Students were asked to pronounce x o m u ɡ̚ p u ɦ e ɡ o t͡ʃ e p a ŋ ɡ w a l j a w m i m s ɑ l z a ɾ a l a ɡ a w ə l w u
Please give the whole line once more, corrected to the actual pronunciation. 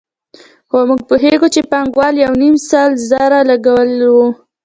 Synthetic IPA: x o m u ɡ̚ p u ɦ e ɡ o t͡ʃ e p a ŋ ɡ w ɑ l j a w n i m s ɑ l z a ɾ a l a ɡ a w ə l w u